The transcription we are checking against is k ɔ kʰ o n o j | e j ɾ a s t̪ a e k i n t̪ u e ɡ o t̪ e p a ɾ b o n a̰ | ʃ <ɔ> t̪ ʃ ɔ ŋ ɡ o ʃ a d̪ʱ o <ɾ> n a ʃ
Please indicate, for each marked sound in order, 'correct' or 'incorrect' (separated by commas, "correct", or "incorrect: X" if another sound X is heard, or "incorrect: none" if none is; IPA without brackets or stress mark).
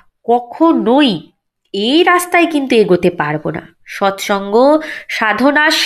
correct, incorrect: none